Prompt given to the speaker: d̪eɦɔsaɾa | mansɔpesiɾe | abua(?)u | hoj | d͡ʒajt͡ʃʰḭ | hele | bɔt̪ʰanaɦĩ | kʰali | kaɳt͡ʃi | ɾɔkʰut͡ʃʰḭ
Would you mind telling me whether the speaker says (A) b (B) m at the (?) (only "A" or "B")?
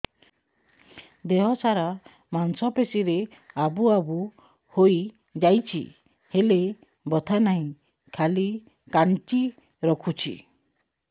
A